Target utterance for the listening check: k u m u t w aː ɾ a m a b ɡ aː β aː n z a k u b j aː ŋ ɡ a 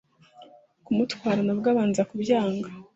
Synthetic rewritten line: k u m u t w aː ɾ a n a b ɡ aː β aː n z a k u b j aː ŋ ɡ a